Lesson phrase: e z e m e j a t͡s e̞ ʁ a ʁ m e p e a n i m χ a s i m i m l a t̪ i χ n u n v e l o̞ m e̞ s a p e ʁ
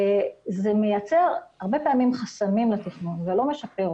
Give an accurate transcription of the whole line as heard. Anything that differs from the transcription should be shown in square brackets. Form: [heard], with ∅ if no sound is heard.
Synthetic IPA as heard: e z e m e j a t͡s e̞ ʁ a ʁ [b] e p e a [m] i m χ a s [a] m i m l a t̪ i χ n u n v e l o̞ m e̞ [ʃ] a p e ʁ